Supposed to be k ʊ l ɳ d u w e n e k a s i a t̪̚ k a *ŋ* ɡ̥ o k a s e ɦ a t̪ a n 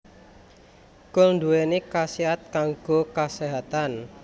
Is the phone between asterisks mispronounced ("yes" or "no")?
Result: no